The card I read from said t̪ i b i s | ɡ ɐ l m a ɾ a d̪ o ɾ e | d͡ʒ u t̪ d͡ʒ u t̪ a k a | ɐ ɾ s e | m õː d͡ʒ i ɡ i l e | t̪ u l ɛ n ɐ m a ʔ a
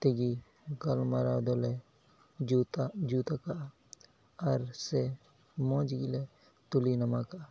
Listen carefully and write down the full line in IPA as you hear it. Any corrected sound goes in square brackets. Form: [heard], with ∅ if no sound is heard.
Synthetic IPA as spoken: t̪ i [ɡ] i [∅] | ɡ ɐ l m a ɾ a d̪ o [l] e | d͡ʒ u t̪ d͡ʒ u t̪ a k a | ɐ ɾ s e | m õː d͡ʒ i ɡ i l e | t̪ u l [i] n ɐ m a [k] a